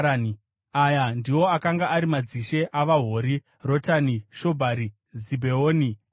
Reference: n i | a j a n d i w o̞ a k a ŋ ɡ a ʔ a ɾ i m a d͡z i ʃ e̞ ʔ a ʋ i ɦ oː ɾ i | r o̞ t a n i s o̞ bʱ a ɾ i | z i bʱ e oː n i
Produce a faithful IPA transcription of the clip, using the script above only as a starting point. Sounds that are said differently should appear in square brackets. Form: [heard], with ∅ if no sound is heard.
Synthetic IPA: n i | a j a n d i w o̞ a k a ŋ ɡ a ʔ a ɾ i m a d͡z i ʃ e̞ ʔ a ʋ [a] ɦ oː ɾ i | r o̞ t a n i [ʃ] o̞ bʱ a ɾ i | z i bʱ e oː n i